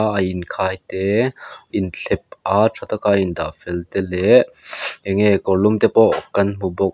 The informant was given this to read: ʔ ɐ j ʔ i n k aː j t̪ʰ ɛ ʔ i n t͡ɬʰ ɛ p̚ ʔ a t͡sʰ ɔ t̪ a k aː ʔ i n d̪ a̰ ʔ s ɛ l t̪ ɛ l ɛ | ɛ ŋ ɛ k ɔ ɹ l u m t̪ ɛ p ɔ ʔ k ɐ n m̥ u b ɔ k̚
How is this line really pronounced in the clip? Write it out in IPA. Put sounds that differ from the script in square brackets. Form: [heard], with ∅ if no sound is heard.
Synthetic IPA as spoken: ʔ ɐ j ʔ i n [kʰ] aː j [t̪] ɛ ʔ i n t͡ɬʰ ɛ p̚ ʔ a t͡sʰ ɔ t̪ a k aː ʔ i n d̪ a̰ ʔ [f] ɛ l t̪ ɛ l ɛ | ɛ ŋ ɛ k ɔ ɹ l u m t̪ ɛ p ɔ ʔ k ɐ n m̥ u b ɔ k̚